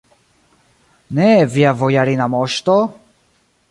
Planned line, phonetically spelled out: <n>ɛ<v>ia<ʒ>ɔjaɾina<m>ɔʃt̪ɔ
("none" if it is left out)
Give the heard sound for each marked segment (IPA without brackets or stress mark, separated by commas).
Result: n, v, v, m